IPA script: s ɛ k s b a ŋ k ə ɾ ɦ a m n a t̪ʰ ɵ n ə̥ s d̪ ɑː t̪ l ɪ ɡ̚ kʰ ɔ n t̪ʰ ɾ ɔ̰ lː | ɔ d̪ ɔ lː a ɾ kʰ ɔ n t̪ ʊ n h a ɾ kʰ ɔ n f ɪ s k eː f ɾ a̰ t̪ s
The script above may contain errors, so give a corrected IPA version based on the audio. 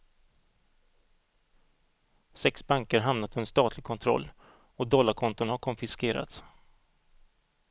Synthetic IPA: s ɛ k s b a ŋ k ə ɾ ɦ a m n a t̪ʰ ɵ n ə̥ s t̪ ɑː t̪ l ɪ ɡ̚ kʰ ɔ n t̪ʰ ɾ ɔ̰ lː | ɔ d̪ ɔ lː a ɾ kʰ ɔ n t̪ ʊ n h a ɾ kʰ ɔ n f ɪ s k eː ɾ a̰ t̪ s